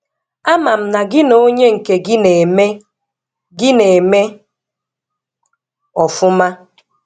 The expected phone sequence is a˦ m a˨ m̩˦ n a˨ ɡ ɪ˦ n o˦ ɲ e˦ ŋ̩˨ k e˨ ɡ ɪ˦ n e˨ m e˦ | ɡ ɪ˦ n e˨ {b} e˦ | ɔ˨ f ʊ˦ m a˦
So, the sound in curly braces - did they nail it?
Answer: no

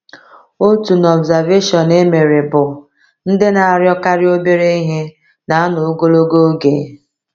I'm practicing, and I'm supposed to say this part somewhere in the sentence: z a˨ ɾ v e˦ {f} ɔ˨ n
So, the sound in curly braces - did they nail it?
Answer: no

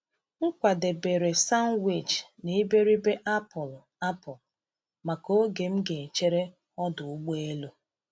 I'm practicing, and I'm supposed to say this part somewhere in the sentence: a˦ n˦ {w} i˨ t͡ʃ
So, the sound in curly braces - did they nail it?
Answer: yes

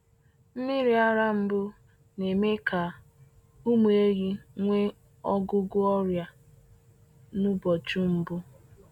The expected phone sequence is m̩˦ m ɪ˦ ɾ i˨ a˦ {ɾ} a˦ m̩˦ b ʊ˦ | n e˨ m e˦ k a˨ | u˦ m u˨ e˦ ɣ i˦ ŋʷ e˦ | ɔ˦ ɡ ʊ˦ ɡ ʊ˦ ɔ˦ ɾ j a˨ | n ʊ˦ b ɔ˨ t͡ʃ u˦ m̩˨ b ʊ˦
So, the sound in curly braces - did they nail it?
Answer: yes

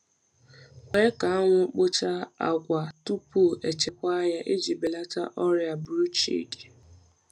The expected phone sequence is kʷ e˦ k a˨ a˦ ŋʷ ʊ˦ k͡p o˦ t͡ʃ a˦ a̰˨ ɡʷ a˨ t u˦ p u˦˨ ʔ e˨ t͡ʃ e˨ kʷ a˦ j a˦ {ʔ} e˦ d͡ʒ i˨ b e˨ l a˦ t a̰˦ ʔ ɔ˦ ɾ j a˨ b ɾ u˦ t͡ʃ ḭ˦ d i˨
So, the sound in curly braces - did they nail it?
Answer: yes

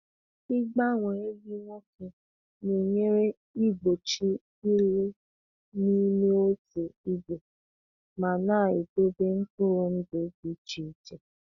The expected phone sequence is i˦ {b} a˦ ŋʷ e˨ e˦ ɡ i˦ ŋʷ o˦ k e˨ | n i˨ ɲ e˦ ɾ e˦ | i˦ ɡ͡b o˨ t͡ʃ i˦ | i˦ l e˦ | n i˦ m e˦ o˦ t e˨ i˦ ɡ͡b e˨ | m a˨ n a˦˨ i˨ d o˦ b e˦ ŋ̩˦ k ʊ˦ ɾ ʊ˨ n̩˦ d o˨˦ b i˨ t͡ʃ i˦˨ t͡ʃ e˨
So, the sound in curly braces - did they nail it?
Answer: no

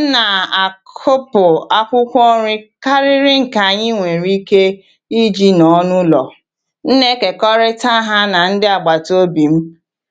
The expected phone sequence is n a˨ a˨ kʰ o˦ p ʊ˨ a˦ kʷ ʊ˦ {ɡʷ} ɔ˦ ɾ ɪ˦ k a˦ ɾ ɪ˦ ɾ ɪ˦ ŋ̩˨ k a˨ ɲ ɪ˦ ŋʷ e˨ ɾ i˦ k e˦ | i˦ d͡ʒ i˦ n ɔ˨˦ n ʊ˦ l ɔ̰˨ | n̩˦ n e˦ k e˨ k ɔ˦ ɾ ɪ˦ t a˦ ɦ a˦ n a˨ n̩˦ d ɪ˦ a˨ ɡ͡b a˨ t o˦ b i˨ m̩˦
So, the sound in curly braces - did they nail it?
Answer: no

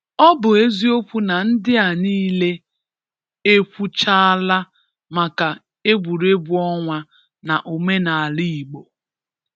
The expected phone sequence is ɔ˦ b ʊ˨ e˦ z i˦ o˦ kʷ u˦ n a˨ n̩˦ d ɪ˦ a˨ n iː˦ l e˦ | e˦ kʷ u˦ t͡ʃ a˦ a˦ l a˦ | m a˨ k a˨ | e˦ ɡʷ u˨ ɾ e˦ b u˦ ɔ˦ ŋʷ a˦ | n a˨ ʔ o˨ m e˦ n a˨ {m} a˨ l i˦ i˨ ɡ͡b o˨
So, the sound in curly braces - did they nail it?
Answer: no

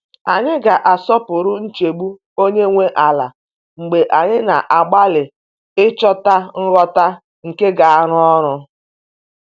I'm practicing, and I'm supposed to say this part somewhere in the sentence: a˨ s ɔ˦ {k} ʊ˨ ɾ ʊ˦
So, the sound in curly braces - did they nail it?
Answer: no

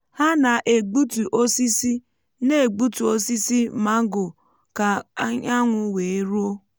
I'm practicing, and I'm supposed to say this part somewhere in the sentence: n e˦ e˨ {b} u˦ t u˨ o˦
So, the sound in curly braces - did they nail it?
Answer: no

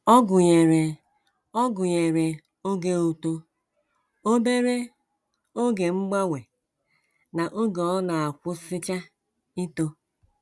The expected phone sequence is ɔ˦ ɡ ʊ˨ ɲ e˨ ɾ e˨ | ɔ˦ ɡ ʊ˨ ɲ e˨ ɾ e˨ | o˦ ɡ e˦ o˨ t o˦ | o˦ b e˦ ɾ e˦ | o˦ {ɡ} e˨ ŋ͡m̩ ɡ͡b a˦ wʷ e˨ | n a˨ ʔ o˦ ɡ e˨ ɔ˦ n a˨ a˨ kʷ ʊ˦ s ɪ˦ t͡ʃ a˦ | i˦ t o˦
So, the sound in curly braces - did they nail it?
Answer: yes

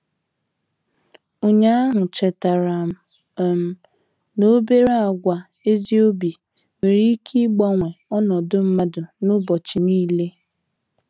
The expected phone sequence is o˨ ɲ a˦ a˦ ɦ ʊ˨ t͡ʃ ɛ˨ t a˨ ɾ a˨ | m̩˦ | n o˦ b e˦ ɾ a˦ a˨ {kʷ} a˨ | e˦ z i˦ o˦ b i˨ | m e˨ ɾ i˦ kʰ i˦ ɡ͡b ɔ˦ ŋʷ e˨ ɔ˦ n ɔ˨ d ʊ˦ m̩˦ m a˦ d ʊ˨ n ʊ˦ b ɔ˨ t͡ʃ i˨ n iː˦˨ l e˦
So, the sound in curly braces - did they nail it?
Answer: no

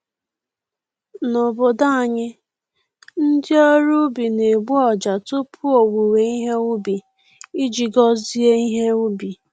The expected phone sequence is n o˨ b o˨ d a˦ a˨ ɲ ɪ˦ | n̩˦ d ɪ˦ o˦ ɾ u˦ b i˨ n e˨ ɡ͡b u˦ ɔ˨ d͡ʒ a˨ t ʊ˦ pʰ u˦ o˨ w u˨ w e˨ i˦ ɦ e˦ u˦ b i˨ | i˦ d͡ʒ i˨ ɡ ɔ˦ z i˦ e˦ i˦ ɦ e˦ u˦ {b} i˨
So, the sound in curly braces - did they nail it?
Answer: yes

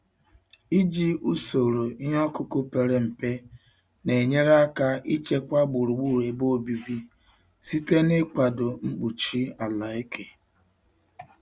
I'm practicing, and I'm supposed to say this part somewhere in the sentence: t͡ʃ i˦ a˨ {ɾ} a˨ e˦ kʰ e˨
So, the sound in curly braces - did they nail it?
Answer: no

